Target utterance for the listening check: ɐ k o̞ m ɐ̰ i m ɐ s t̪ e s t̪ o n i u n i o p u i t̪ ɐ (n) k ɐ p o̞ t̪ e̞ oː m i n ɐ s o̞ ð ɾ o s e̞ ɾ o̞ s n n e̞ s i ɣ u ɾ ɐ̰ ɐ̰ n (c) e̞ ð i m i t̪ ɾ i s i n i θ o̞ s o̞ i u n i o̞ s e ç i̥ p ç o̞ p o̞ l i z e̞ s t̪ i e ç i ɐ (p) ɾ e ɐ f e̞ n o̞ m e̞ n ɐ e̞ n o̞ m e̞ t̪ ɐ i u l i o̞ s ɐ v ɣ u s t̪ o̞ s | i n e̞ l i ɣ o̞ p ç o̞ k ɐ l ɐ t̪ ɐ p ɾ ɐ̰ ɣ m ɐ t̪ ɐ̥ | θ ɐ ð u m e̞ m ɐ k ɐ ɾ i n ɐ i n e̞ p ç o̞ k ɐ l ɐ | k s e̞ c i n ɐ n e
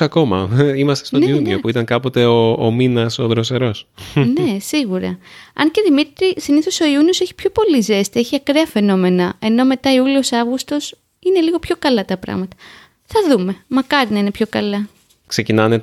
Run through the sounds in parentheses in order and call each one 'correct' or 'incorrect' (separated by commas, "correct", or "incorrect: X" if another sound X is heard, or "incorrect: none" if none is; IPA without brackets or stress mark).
incorrect: ŋ, correct, incorrect: k